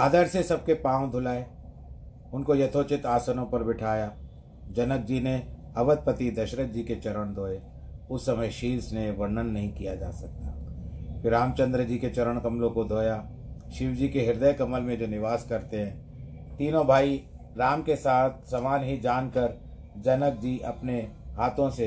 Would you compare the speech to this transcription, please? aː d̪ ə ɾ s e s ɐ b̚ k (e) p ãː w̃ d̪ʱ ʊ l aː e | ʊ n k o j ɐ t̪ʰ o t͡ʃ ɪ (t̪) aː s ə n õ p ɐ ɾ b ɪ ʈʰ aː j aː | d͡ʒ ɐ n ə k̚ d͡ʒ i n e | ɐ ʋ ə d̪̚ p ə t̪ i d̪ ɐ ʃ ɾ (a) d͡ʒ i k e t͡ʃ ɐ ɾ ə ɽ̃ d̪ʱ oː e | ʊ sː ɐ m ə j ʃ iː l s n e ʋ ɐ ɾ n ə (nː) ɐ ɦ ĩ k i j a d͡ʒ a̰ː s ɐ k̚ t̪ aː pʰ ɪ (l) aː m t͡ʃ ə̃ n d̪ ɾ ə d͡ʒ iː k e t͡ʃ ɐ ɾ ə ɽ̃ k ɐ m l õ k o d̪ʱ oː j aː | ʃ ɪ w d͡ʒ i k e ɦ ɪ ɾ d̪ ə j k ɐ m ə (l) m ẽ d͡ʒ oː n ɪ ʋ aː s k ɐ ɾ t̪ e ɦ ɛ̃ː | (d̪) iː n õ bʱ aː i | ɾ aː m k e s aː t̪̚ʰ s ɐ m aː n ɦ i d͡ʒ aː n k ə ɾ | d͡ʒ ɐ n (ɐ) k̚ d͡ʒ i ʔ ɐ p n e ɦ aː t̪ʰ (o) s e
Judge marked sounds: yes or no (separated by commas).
yes, yes, no, yes, no, yes, no, no, no